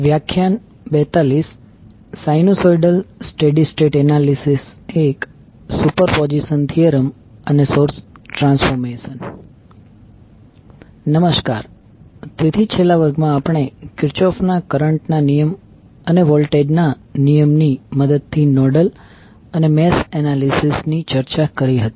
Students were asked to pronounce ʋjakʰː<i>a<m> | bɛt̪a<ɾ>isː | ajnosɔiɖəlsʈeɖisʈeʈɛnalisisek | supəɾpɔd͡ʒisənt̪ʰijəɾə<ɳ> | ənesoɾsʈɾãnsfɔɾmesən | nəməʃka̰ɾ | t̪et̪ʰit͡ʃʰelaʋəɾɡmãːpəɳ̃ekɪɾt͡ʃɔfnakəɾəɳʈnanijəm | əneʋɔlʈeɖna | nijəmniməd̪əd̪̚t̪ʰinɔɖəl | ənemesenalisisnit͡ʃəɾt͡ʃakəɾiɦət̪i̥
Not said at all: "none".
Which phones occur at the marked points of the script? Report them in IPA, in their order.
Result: j, n, l, m

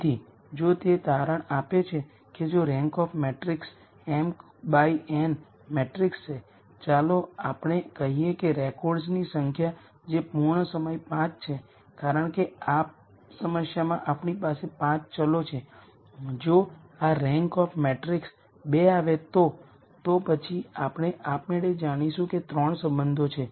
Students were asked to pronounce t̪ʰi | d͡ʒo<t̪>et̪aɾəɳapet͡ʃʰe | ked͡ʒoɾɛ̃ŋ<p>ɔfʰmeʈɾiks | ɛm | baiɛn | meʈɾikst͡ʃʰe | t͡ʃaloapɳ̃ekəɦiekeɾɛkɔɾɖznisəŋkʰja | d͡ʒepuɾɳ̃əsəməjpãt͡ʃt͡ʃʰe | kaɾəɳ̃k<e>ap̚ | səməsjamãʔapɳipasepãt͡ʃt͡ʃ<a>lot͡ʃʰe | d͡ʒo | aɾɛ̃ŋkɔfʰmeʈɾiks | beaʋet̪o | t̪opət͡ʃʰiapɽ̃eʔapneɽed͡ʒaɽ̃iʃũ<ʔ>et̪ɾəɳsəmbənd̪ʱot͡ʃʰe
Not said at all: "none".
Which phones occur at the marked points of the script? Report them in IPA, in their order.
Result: t̪, k, e, ə, k

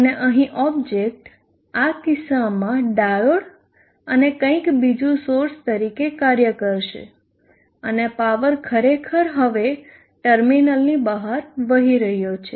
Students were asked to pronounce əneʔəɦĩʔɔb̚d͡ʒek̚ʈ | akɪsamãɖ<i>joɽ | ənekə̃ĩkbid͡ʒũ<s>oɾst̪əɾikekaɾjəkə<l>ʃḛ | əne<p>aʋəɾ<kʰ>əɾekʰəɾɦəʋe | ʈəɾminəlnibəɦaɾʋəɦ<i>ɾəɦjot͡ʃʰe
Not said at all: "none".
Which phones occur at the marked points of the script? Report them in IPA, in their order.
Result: a, s, ɾ, p, kʰ, i

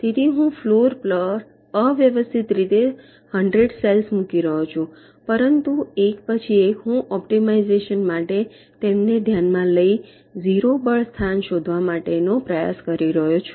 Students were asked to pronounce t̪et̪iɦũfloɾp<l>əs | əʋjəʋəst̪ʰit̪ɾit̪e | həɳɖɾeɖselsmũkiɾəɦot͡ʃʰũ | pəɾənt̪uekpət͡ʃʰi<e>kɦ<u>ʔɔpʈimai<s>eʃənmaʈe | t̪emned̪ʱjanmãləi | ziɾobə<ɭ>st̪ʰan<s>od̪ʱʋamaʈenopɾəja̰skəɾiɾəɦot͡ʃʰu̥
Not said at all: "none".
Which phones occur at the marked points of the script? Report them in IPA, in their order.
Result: l, e, ũ, z, ɭ, ʃ

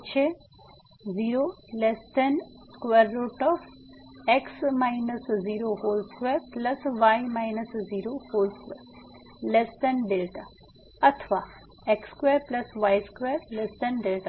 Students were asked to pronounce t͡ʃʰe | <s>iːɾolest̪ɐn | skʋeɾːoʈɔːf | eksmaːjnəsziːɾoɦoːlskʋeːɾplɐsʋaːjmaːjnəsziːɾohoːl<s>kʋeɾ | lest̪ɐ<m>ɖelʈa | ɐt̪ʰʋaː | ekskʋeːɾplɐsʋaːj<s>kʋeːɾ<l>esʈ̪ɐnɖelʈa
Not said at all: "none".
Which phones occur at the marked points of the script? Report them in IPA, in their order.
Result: z, s, n, s, l

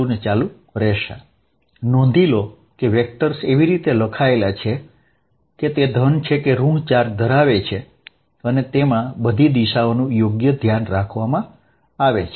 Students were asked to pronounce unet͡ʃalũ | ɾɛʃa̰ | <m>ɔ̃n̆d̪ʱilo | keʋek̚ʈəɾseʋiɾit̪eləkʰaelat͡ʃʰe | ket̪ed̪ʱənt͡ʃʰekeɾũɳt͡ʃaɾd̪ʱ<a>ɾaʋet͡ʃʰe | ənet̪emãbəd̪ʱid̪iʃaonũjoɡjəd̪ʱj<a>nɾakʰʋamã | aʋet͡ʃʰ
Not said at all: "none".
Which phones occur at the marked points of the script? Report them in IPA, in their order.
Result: n, ə, a

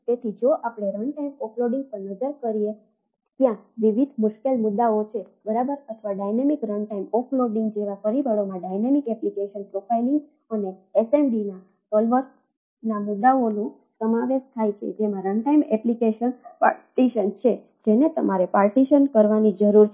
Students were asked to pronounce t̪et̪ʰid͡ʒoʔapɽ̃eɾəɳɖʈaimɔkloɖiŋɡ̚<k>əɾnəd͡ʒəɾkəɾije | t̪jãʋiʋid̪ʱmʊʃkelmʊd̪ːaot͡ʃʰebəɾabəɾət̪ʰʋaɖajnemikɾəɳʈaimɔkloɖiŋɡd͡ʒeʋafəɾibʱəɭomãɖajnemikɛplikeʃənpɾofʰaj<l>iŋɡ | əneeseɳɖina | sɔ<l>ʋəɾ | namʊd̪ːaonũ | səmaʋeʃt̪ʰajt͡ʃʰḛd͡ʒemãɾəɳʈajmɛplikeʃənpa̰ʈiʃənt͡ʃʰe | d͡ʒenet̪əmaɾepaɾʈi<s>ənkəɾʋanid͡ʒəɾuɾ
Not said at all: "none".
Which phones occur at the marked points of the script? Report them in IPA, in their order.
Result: p, l, l, ʃ

